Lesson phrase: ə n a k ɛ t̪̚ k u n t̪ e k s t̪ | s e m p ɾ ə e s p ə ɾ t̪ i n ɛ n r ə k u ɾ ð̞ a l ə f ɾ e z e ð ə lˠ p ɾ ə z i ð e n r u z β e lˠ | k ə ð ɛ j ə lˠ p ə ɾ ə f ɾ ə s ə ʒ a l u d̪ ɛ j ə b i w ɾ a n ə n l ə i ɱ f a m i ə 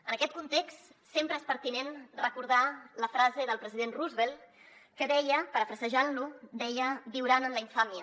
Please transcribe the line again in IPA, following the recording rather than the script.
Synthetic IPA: ə n ə k ɛ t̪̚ k u n t̪ e k s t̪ | s e m p ɾ ə e s p ə ɾ t̪ i n e n r ə k u ɾ ð̞ a l ə f ɾ a z e ð ə lˠ p ɾ ə z i ð e n r u z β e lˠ | k ə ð ɛ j ə p ə ɾ ə f ɾ ə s ə ʒ a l u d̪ ɛ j ə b i w ɾ a n ə n l ə i ɱ f a m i ə